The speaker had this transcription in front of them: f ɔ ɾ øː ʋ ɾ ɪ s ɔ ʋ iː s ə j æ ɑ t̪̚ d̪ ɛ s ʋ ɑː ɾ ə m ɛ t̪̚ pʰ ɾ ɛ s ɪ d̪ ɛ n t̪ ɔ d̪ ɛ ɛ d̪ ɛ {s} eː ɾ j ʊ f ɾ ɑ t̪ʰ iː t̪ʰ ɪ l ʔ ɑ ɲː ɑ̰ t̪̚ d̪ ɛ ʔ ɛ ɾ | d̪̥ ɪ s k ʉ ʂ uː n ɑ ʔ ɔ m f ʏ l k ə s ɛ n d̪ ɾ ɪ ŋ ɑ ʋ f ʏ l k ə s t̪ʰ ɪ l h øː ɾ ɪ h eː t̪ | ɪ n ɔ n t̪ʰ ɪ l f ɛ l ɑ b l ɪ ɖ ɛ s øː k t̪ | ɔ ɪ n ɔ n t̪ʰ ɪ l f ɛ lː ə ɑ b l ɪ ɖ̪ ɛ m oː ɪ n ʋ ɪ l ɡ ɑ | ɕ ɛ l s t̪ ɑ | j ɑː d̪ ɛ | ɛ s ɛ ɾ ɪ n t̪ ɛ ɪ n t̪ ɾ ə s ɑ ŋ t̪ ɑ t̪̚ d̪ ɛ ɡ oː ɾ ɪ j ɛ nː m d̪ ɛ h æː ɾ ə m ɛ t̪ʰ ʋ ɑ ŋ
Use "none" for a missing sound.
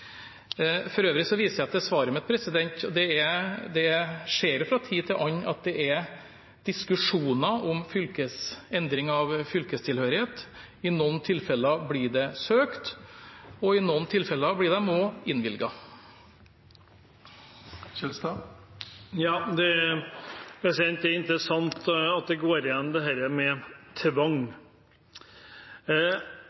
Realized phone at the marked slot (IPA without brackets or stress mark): ʂ